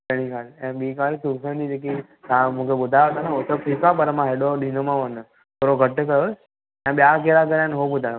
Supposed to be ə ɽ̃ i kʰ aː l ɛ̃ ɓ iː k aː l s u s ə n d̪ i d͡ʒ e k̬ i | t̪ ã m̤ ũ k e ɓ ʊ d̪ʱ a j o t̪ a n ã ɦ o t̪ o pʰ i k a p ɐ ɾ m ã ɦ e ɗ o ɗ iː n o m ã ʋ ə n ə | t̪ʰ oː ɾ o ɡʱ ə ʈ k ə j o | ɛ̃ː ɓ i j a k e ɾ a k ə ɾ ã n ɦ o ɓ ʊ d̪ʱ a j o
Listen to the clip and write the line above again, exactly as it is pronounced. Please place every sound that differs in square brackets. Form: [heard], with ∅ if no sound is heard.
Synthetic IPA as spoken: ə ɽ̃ i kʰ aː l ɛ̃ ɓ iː k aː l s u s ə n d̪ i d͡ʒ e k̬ i | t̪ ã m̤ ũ k e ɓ ʊ d̪ʱ a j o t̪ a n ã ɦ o t̪ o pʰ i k a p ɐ ɾ m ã ɦ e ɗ o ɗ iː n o m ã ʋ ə n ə | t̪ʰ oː ɾ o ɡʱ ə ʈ k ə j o | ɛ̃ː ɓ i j a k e ɾ a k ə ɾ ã n ɦ o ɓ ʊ d̪ʱ a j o